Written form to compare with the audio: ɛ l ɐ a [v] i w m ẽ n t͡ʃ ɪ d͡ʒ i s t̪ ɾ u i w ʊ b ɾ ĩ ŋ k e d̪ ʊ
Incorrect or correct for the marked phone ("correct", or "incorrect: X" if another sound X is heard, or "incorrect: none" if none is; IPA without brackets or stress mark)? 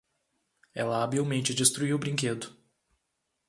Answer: incorrect: b